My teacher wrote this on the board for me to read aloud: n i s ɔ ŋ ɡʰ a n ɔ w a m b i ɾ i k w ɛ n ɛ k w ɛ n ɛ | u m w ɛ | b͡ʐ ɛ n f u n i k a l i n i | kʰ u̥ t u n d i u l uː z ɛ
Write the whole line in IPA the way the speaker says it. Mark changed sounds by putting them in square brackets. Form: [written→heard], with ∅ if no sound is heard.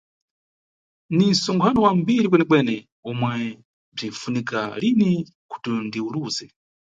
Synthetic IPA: n i s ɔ ŋ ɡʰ a n ɔ w a m b i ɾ i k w ɛ n ɛ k w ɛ n ɛ | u m w ɛ | b͡ʐ [ɛ→i] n f u n i k a l i n i | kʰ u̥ t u n d i u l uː z ɛ